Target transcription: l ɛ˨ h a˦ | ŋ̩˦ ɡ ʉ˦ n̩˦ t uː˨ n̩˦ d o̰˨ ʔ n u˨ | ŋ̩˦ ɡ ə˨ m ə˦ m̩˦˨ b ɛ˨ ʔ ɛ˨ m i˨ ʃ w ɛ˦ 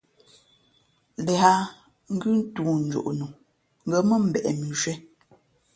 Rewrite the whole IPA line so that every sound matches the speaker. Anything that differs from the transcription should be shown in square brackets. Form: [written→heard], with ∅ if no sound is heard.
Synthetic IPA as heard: l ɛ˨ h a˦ | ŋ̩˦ ɡ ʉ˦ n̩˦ t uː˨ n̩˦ [d→d͡ʒ] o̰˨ ʔ n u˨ | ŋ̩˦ ɡ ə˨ m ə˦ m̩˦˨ b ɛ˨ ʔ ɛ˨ m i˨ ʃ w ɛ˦